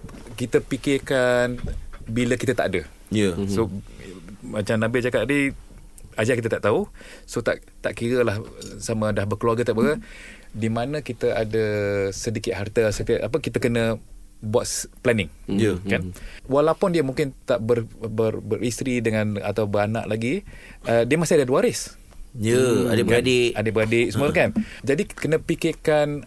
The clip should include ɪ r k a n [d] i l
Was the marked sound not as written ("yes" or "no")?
yes